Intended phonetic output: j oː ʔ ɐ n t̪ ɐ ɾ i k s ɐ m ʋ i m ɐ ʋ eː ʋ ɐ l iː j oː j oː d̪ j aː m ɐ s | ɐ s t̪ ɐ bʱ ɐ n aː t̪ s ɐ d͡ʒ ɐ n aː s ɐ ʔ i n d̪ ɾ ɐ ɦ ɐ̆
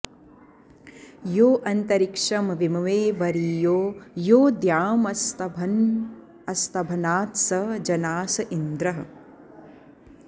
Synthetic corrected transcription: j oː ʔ ɐ n t̪ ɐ ɾ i k ʂ ɐ m ʋ i m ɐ ʋ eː ʋ ɐ ɾ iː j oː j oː d̪ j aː m ɐ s | ɐ s t̪ ɐ bʱ ɐ n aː t̪ s ɐ d͡ʒ ɐ n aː s ɐ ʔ i n d̪ ɾ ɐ ɦ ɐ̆